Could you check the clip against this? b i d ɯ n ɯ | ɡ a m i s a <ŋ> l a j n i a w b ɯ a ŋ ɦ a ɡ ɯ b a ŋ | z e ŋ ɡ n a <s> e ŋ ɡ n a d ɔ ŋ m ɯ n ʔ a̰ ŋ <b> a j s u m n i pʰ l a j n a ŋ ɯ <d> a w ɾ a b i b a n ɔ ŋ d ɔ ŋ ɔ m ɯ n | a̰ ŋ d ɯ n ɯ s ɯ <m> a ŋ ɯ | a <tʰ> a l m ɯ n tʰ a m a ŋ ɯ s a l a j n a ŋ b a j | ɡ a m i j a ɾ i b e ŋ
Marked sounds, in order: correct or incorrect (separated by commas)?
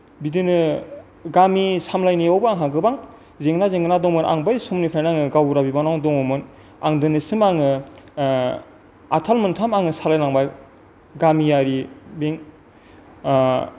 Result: incorrect, incorrect, correct, incorrect, correct, correct